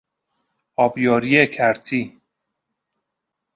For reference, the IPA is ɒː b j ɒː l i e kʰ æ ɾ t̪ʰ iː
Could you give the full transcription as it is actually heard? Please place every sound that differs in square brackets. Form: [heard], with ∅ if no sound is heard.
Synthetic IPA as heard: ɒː b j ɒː [ɾ] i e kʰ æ ɾ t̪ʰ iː